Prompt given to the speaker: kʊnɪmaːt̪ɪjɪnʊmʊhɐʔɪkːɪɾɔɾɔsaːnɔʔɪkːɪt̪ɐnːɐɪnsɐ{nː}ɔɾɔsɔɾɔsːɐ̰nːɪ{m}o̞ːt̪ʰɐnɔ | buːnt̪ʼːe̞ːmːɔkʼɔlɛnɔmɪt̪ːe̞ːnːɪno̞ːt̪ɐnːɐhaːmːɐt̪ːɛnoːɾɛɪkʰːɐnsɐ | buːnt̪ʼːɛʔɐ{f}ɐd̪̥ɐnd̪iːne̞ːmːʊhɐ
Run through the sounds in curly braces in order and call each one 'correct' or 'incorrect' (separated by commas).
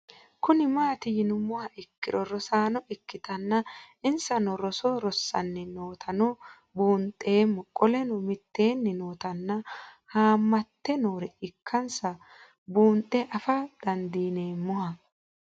incorrect, incorrect, correct